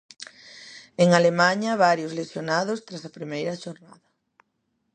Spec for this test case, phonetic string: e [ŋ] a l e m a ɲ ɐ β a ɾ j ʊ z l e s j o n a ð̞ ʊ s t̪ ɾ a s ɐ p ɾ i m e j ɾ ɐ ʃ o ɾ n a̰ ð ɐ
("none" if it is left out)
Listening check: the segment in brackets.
ŋ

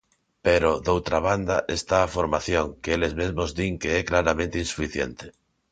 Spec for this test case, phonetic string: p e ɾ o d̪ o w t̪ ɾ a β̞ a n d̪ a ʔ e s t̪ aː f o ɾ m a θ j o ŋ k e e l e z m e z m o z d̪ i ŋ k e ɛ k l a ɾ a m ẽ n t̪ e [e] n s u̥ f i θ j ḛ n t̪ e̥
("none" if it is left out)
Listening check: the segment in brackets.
i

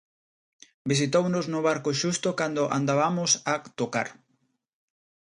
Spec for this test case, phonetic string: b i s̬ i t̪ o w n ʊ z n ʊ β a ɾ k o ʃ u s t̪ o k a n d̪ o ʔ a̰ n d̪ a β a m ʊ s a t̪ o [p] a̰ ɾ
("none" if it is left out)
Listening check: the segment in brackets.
k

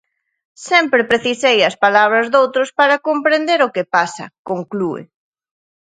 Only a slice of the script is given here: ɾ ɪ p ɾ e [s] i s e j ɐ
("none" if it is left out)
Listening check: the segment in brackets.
θ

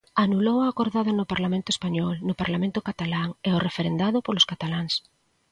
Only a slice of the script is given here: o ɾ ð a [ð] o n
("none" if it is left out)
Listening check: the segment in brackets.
ð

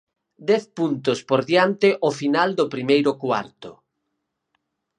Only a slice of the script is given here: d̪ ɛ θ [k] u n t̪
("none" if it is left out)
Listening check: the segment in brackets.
p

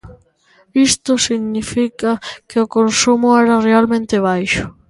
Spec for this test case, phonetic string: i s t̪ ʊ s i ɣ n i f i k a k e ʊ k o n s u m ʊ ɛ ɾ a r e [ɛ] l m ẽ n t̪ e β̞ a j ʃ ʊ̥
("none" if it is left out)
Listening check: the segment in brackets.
a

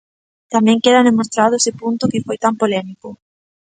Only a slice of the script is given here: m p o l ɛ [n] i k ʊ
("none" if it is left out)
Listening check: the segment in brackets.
m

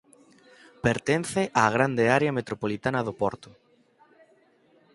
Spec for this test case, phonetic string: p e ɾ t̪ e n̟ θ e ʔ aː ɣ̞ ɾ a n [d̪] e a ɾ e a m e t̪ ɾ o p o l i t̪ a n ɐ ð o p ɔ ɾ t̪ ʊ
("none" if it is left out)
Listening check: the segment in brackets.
d̪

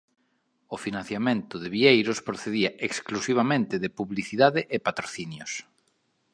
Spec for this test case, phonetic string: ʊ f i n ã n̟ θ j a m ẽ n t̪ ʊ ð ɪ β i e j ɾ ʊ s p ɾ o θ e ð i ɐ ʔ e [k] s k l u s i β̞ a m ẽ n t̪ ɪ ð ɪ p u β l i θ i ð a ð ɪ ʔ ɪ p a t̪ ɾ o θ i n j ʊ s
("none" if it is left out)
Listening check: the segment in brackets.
k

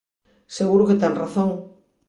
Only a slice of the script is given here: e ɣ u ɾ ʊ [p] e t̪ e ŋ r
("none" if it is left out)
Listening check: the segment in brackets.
k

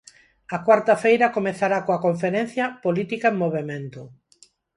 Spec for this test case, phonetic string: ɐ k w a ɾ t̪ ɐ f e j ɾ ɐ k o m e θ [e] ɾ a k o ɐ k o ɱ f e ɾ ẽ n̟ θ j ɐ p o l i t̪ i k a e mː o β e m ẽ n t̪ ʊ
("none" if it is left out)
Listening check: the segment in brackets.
a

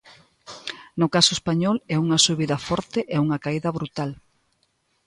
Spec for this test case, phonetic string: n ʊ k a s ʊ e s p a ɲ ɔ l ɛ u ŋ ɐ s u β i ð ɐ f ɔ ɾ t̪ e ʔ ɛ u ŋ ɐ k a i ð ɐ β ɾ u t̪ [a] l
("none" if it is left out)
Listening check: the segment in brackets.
a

